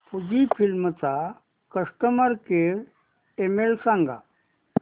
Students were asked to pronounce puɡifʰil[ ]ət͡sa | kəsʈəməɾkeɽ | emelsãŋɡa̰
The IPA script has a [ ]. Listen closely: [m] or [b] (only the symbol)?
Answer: m